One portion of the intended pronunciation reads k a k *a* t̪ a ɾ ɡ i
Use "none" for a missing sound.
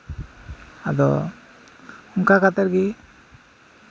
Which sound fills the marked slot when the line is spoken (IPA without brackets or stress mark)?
a